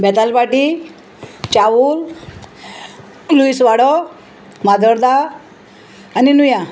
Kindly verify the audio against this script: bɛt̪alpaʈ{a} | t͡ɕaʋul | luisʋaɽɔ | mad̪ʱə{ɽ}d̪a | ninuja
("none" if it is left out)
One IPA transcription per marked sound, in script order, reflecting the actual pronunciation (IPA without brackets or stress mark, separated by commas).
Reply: i, ɾ